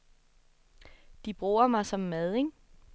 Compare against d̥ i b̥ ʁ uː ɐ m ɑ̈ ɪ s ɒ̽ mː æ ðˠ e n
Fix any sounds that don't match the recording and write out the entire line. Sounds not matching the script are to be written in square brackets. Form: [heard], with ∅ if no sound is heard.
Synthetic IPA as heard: d̥ i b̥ ʁ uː ɐ m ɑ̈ ɪ s ɒ̽ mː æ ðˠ e [ŋ]